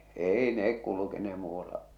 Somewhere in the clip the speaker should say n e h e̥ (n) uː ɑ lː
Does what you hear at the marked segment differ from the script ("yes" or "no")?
yes